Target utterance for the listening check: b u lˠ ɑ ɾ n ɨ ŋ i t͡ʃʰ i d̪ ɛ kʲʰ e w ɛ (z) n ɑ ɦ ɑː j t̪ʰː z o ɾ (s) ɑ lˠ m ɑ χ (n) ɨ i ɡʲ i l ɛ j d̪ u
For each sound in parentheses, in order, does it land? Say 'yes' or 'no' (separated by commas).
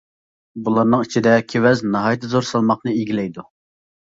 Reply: yes, yes, yes